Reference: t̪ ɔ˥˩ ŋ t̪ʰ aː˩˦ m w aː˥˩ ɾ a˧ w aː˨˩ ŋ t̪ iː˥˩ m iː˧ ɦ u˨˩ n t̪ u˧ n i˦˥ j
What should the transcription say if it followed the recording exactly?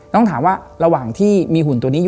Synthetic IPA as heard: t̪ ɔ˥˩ ŋ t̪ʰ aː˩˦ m w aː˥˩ ɾ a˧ w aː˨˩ ŋ t̪ʰ iː˥˩ m iː˧ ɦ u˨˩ n t̪ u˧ n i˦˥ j